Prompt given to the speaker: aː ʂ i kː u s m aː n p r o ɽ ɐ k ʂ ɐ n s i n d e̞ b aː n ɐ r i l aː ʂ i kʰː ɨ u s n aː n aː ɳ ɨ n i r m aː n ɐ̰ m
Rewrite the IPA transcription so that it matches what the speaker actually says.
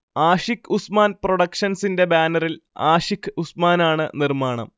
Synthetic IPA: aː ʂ i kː u s m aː n p r o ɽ ɐ k ʂ ɐ n s i n d e̞ b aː n ɐ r i l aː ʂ i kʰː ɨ u s m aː n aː ɳ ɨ n i r m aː ɳ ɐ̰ m